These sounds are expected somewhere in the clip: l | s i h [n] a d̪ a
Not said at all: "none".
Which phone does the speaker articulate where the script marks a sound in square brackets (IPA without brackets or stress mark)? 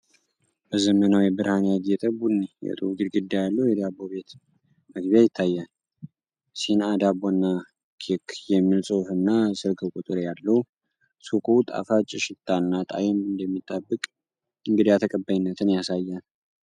n